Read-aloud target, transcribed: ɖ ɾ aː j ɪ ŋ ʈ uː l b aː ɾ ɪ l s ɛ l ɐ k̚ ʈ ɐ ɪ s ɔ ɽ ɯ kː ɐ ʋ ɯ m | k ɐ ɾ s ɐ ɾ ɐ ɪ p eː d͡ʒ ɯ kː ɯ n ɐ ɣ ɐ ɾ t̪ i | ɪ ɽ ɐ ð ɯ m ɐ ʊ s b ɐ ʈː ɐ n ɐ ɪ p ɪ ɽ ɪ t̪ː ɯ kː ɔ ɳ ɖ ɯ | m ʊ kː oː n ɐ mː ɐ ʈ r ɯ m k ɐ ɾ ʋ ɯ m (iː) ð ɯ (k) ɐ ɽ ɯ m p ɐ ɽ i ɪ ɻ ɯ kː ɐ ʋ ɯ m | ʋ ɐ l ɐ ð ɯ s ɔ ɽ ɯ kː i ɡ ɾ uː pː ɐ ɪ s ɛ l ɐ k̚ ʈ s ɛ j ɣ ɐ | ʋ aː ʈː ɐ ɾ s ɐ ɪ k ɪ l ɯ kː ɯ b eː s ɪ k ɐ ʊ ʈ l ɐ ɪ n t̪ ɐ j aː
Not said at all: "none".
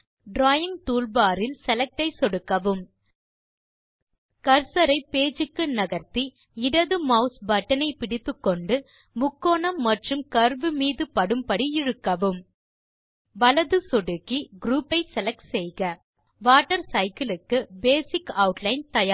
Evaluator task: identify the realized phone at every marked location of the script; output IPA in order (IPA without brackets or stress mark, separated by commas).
iː, p